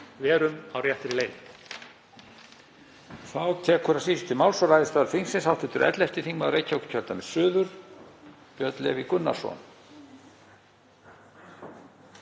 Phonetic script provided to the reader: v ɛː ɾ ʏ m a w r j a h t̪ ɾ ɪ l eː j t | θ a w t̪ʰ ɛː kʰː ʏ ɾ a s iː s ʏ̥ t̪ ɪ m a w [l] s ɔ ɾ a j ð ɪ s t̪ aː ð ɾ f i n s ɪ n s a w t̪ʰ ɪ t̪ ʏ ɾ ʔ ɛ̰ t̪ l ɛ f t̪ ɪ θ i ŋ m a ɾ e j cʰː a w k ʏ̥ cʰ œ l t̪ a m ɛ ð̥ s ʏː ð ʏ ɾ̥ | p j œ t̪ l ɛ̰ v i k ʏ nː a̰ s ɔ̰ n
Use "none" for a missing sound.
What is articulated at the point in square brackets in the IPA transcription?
l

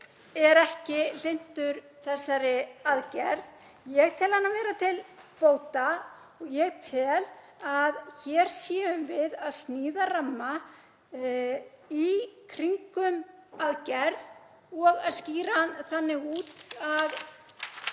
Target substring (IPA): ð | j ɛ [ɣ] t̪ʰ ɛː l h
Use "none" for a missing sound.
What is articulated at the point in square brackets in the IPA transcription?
ɣ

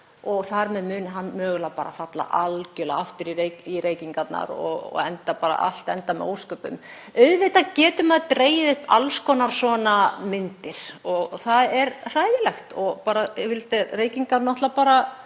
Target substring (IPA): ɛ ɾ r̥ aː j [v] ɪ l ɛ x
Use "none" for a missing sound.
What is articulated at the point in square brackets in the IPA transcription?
ð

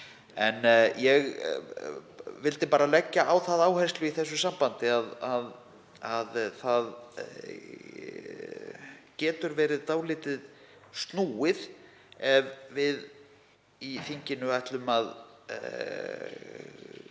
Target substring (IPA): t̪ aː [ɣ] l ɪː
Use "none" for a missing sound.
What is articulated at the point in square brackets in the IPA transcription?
w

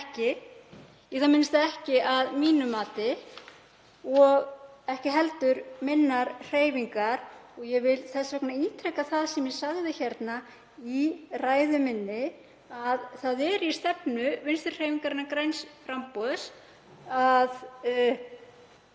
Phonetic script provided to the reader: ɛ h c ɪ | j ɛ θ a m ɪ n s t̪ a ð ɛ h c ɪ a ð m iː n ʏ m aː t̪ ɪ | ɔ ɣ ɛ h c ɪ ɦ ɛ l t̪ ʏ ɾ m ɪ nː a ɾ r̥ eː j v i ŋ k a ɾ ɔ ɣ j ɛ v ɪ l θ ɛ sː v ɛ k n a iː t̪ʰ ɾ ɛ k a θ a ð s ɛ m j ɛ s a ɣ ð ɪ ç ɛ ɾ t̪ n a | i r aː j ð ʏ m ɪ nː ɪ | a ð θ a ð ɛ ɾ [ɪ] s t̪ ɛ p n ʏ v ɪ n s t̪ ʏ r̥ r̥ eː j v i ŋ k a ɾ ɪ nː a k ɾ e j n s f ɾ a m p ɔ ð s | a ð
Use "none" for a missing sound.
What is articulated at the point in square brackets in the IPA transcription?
i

